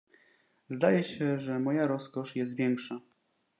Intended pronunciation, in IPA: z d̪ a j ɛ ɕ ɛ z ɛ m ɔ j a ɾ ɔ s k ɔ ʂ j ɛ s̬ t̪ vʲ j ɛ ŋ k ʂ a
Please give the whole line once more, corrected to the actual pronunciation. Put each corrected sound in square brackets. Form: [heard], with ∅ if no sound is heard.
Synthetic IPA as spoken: z d̪ a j ɛ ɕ ɛ [ʐ] ɛ m ɔ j a ɾ ɔ s k ɔ ʂ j ɛ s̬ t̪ vʲ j ɛ ŋ k ʂ a